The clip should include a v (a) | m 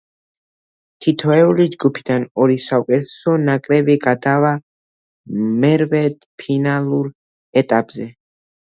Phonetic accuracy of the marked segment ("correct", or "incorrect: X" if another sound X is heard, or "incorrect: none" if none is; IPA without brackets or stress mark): correct